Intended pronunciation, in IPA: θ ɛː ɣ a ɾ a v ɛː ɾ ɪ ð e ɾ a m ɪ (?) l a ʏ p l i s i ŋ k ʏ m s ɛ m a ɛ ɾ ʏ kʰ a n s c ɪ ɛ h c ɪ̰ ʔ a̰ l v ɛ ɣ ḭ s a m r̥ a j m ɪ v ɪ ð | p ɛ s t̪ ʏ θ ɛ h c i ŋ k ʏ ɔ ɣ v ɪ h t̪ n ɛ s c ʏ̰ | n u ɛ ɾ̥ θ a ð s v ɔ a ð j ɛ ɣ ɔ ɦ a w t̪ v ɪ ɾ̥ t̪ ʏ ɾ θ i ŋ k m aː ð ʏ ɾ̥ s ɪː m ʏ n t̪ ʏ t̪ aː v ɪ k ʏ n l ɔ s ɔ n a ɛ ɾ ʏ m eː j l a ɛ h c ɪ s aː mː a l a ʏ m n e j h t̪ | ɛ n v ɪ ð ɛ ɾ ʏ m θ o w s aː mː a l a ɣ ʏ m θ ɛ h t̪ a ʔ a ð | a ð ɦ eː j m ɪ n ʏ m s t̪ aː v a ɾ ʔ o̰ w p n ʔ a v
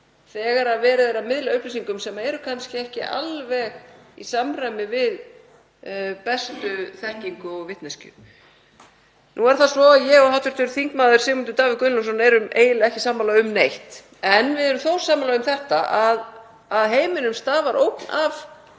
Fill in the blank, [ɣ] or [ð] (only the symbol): ð